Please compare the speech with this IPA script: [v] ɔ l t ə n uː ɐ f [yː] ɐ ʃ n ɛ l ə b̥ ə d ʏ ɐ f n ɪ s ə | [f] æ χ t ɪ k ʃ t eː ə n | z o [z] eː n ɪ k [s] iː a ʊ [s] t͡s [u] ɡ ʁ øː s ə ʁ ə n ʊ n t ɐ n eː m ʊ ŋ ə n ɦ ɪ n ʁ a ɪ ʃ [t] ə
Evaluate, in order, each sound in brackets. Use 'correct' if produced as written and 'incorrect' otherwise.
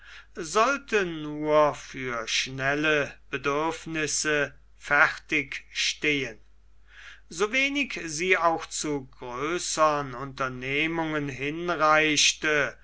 incorrect: z, correct, correct, incorrect: v, incorrect: z, incorrect: x, correct, correct

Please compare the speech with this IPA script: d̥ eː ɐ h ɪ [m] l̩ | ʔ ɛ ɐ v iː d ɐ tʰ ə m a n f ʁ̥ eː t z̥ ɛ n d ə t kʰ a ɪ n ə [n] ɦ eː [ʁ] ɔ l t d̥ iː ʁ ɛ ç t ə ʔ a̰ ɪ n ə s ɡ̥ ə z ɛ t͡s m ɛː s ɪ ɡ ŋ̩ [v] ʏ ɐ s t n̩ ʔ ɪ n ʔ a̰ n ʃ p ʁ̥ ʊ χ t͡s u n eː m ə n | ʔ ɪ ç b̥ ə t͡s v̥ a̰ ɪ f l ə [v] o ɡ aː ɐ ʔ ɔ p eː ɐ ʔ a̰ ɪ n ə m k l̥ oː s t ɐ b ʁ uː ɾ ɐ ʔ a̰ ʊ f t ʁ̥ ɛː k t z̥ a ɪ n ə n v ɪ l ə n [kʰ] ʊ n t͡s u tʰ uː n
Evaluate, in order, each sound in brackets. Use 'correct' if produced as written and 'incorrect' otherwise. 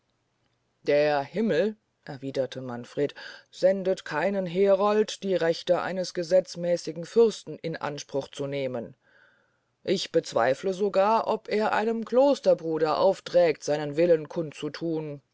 correct, correct, correct, incorrect: f, incorrect: z, correct

